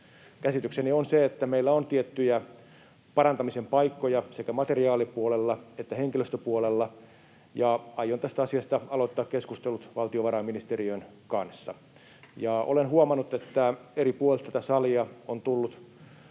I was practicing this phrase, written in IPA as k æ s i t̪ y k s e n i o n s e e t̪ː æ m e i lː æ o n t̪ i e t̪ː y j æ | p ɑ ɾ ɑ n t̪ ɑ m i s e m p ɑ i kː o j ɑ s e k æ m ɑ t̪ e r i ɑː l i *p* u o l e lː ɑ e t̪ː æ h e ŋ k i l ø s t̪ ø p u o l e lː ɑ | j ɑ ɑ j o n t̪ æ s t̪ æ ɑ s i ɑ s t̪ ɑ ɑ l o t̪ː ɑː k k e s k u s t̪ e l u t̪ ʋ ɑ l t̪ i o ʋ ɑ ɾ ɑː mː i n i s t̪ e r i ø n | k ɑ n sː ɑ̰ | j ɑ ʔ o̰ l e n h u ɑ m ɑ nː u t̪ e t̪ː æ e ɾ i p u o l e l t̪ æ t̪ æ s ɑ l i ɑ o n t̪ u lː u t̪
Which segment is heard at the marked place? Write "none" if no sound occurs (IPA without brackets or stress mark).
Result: p